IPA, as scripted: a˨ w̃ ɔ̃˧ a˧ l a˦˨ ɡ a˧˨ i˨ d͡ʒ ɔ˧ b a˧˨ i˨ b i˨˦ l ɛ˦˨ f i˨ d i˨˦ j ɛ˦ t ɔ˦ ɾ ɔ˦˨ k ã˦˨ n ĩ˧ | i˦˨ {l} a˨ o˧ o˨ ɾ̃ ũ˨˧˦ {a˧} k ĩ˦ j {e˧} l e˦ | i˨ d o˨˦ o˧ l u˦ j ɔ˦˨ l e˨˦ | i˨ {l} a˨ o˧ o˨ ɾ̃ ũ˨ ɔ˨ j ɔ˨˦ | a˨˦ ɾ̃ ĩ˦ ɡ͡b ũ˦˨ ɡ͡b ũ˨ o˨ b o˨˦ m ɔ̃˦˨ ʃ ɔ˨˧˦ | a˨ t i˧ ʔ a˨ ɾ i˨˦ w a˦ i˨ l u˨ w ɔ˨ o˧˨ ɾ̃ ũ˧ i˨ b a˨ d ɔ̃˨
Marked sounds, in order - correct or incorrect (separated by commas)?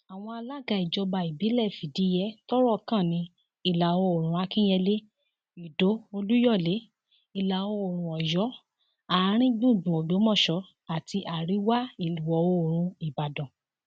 correct, correct, incorrect, correct